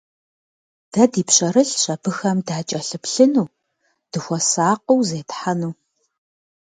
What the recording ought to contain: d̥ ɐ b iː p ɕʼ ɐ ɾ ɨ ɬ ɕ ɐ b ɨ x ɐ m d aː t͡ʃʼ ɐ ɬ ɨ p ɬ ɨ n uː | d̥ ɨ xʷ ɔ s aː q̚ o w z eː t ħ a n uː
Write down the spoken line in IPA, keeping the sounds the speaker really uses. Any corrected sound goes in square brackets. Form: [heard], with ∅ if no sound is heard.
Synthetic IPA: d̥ ɐ [d] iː p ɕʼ ɐ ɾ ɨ ɬ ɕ ɐ b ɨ x ɐ m d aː t͡ʃʼ ɐ ɬ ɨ p ɬ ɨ n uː | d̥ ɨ xʷ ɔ s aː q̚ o w z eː t ħ a n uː